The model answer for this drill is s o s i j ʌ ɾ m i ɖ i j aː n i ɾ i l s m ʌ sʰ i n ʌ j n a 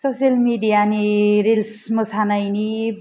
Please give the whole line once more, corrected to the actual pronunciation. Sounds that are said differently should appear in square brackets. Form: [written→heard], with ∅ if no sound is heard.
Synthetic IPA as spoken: s o s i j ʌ [ɾ→l] m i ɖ i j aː n i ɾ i l s m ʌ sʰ [i→a] n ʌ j n [a→i]